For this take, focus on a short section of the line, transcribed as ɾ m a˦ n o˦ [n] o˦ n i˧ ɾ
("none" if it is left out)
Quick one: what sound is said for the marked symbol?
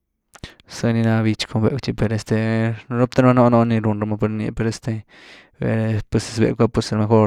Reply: n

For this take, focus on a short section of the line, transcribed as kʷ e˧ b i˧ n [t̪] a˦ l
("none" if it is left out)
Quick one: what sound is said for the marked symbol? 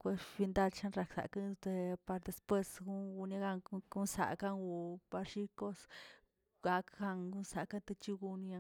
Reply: d̪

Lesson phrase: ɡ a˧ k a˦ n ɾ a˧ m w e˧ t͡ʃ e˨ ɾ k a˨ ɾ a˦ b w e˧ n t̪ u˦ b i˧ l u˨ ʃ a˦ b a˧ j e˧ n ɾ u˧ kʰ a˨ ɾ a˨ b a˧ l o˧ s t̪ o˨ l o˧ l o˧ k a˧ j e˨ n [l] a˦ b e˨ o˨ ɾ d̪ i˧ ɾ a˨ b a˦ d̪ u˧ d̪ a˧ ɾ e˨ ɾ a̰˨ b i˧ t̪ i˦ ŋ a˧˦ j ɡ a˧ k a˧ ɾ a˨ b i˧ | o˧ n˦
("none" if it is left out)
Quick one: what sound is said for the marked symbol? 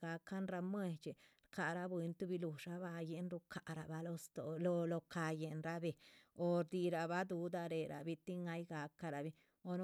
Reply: ɾ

